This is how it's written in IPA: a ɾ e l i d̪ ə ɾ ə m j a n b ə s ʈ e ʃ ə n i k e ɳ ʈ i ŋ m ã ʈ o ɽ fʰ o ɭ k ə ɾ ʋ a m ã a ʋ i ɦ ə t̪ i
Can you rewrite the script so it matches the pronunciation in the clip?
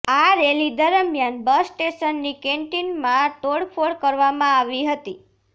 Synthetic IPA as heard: a ɾ e l i d̪ ə ɾ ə m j a n b ə s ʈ e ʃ ə nː i k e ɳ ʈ i n m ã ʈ o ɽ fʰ o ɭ k ə ɾ ʋ a m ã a ʋ i ɦ ə t̪ i